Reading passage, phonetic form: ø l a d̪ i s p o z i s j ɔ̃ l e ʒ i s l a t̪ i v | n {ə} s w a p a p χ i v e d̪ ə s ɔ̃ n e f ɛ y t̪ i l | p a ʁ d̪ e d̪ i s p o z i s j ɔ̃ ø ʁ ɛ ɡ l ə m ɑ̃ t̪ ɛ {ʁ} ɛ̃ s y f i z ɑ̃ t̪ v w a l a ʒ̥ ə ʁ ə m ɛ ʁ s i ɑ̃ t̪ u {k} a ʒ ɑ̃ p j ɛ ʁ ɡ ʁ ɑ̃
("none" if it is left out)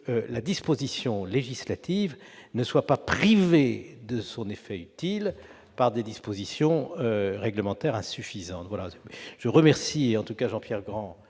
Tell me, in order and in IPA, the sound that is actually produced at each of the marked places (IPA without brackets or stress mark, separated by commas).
ə, ʁ, k